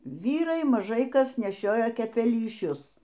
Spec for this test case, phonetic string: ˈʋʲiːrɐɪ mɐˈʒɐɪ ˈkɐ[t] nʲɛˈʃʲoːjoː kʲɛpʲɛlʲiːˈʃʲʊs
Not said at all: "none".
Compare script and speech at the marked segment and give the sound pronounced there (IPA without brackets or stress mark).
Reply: s